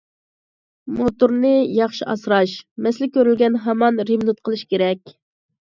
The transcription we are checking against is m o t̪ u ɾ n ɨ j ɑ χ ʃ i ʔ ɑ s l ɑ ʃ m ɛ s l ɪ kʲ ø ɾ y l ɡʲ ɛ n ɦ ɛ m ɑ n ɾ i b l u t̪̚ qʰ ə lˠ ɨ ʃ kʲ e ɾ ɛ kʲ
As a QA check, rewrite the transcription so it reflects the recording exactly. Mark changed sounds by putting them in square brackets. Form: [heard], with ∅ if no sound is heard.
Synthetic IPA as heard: m o t̪ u ɾ n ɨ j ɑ χ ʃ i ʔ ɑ s [ɾ] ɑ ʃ m ɛ s l ɪ kʲ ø ɾ y l ɡʲ ɛ n ɦ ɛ m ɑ n ɾ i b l u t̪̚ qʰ ə lˠ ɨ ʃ kʲ e ɾ ɛ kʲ